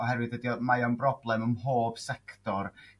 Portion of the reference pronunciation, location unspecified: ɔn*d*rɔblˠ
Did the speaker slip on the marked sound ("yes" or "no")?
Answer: yes